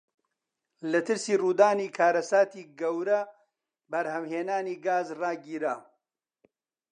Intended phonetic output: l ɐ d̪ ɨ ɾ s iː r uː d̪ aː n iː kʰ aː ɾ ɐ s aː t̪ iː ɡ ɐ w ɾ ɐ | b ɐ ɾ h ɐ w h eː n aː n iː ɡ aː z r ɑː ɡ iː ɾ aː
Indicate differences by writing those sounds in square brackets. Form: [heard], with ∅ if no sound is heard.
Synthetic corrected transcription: l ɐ [t̪] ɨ ɾ s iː r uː d̪ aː n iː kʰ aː ɾ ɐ s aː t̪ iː ɡ ɐ w ɾ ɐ | b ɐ ɾ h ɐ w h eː n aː n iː ɡ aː z r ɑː ɡ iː ɾ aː